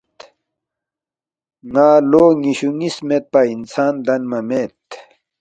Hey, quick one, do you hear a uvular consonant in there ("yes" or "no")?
no